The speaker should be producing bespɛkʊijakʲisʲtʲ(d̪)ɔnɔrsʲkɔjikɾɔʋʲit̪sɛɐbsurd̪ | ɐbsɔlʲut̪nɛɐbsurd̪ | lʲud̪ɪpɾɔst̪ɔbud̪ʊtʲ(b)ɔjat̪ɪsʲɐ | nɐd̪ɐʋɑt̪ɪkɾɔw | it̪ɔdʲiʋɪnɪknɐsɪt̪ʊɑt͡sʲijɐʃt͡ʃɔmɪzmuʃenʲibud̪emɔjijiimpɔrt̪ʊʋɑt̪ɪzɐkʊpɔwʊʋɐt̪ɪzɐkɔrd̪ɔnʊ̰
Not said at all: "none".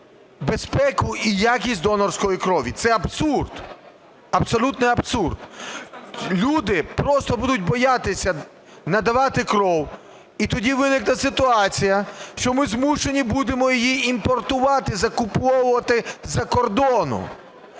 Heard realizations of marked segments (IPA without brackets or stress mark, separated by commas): d̪, b